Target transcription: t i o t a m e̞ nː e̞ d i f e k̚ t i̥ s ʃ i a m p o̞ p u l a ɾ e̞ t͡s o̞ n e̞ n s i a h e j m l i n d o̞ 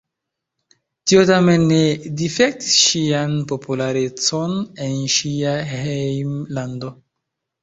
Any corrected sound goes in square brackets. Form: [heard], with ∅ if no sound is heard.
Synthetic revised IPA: t i o t a m e̞ nː e̞ d i f e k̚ t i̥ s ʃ i a [n] p o̞ p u l a ɾ e̞ t͡s o̞ n e̞ n [ʃ] i a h e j m l [a] n d o̞

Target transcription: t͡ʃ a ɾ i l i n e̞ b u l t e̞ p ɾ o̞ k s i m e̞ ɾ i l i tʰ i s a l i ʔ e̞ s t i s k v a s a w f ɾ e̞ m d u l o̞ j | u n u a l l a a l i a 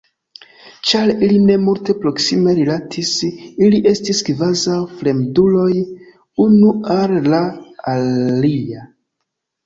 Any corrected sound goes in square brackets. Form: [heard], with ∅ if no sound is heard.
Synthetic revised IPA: t͡ʃ a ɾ i l i n e̞ [m] u l t e̞ p ɾ o̞ k s i m e̞ ɾ i l [a] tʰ i s [i] l i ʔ e̞ s t i s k v a [z] a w f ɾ e̞ m d u l o̞ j | u n u a l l a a l i a

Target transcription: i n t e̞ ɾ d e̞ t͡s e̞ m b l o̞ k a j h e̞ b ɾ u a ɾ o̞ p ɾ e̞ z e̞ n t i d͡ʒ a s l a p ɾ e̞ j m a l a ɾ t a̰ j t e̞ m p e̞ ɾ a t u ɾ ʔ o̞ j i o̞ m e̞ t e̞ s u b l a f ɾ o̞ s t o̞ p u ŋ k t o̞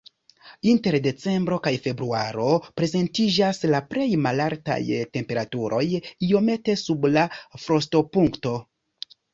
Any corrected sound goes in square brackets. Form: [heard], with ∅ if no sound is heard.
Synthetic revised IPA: i n t e̞ ɾ d e̞ t͡s e̞ m b [ɾ] o̞ k a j [f] e̞ b ɾ u a ɾ o̞ p ɾ e̞ z e̞ n t i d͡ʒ a s l a p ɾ e̞ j m a l a ɾ t a̰ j t e̞ m p e̞ ɾ a t u ɾ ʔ o̞ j i o̞ m e̞ t e̞ s u b l a f ɾ o̞ s t o̞ p u ŋ k t o̞

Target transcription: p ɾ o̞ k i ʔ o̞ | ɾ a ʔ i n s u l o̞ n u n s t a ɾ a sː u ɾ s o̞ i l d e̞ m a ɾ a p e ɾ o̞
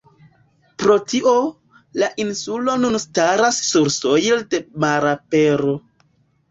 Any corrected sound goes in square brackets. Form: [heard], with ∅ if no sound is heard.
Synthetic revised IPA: p ɾ o̞ [t] i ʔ o̞ | [l] a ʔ i n s u l o̞ n u n s t a ɾ a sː u ɾ s o̞ [j] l d e̞ m a ɾ a p e ɾ o̞

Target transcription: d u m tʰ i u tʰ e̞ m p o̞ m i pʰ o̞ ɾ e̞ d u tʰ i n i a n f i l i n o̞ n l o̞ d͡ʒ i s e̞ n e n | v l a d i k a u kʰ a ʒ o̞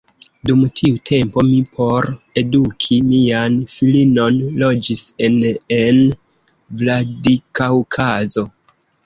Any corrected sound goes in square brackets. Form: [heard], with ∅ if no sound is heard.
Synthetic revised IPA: d u m tʰ i u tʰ e̞ m p o̞ m i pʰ o̞ ɾ e̞ d u [kʰ] i [m] i a n f i l i n o̞ n l o̞ d͡ʒ i s e̞ n e n | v l a d i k a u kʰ a [z] o̞

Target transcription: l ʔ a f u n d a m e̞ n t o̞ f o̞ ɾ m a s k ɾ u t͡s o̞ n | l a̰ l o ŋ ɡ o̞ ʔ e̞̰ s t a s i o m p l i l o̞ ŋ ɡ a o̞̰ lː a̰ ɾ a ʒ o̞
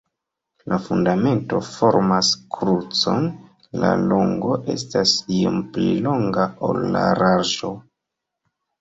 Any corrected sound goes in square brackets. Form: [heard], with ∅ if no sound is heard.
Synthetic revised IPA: l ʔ a f u n d a m e̞ n t o̞ f o̞ ɾ m a s k ɾ u t͡s o̞ n | l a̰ l o ŋ ɡ o̞ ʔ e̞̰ s t a s i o m p l i l o̞ ŋ ɡ a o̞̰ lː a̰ ɾ a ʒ o̞

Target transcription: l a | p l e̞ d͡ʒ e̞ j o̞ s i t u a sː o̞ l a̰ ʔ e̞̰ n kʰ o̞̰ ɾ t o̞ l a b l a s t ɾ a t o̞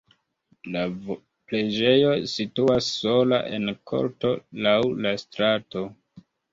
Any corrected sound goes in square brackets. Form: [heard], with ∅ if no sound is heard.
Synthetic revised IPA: l a | p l e̞ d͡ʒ e̞ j o̞ s i t u a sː o̞ l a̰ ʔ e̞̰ n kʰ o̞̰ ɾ t o̞ l a [w] l a s t ɾ a t o̞

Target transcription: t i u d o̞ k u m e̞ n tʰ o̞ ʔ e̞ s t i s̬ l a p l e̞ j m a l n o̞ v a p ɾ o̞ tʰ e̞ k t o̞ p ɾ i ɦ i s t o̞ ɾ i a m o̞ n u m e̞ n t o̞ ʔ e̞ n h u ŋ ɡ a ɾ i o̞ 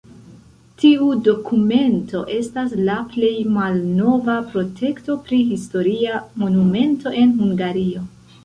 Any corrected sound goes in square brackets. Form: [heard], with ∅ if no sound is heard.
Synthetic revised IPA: t i u d o̞ k u m e̞ n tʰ o̞ ʔ e̞ s t [a] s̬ l a p l e̞ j m a l n o̞ v a p ɾ o̞ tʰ e̞ k t o̞ p ɾ i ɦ i s t o̞ ɾ i a m o̞ n u m e̞ n t o̞ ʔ e̞ n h u ŋ ɡ a ɾ i o̞

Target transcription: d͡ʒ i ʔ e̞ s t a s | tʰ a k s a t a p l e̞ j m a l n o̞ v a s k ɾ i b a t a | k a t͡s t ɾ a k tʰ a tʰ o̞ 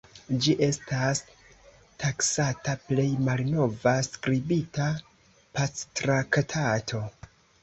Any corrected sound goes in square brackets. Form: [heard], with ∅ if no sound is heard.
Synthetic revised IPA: d͡ʒ i ʔ e̞ s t a s | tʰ a k s a t a p l e̞ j m a l n o̞ v a s k ɾ i b [i] t a | [p] a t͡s t ɾ a k tʰ a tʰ o̞

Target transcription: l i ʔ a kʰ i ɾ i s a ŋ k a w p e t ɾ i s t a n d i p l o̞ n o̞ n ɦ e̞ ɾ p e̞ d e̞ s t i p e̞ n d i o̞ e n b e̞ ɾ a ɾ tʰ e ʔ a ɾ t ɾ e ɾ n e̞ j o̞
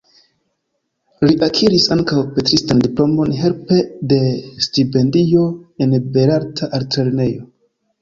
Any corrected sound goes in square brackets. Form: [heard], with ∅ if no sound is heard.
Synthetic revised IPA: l i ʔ a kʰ i ɾ i s a ŋ k a w p e t ɾ i s t a n d i p l o̞ [m] o̞ n ɦ e̞ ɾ p e̞ d e̞ s t i p e̞ n d i o̞ e n b e̞ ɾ a ɾ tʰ [a] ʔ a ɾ t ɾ e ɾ n e̞ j o̞

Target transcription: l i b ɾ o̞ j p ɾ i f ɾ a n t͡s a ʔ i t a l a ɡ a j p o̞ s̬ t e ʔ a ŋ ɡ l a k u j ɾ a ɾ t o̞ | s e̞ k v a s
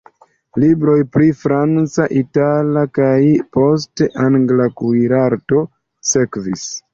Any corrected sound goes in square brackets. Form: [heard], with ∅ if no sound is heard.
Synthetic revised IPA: l i b ɾ o̞ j p ɾ i f ɾ a n t͡s a ʔ i t a l a [k] a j p o̞ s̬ t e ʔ a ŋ ɡ l a k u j ɾ a ɾ t o̞ | s e̞ k v [i] s

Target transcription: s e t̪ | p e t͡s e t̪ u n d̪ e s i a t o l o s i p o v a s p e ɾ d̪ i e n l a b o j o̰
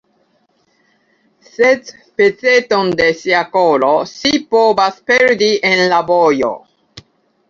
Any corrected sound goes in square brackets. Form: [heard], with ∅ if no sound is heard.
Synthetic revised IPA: s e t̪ | p e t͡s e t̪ [o] n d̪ e s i a [k] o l o s i p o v a s p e ɾ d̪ i e n l a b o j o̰

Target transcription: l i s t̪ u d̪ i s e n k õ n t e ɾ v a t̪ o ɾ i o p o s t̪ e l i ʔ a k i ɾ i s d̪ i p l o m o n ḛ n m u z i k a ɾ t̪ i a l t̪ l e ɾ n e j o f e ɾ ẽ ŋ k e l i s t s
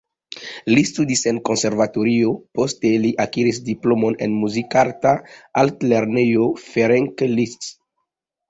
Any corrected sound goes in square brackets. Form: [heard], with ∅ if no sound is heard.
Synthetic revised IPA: l i s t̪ u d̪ i s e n k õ n [s] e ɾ v a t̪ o ɾ i o p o s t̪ e l i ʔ a k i ɾ i s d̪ i p l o m o n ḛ n m u z i k a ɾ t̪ [a] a l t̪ l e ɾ n e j o f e ɾ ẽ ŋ k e l i s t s

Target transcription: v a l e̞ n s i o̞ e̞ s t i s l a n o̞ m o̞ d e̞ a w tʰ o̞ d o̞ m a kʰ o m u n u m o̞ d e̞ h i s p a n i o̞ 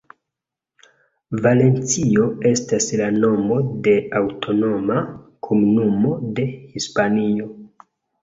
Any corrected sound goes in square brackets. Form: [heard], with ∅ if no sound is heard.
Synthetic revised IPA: v a l e̞ n [t͡s] i o̞ e̞ s t [a] s l a n o̞ m o̞ d e̞ a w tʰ o̞ [n] o̞ m a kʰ o m u n u m o̞ d e̞ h i s p a n i o̞

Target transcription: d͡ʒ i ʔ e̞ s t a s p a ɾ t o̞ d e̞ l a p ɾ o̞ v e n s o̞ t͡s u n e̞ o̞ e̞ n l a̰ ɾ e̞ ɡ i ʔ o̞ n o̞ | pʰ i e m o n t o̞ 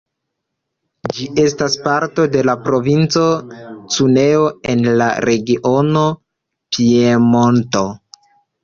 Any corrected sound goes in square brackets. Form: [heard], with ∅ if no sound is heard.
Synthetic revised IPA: d͡ʒ i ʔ e̞ s t a s p a ɾ t o̞ d e̞ l a p ɾ o̞ v [i] n [t͡s] o̞ t͡s u n e̞ o̞ e̞ n l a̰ ɾ e̞ ɡ i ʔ o̞ n o̞ | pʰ i e m o n t o̞

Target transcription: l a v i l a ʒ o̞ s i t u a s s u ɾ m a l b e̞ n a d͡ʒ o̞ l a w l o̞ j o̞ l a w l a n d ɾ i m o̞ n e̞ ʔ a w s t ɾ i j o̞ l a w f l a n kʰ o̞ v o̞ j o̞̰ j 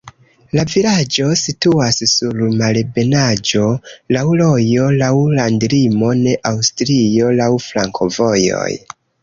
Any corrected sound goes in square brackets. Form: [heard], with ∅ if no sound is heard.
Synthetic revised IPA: l a v i l a [d͡ʒ] o̞ s i t u a s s u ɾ m a l b e̞ n a d͡ʒ o̞ l a w l o̞ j o̞ l a w l a n d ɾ i m o̞ n e̞ ʔ a w s t ɾ i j o̞ l a w f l a [ŋ] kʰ o̞ v o̞ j o̞̰ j

